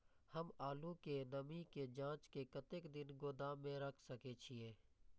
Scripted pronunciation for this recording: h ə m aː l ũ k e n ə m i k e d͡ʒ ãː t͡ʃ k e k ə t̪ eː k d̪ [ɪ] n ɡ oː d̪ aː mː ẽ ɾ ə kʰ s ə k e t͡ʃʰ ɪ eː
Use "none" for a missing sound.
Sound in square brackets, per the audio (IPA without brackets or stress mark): ɪ